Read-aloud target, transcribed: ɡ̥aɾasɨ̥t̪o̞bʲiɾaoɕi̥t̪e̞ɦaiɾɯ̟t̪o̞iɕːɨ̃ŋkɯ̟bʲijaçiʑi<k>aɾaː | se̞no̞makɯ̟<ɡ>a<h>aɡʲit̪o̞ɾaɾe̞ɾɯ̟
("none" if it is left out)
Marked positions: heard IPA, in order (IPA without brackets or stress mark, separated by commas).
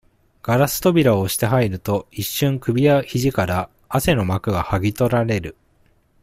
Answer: k, ɡ, h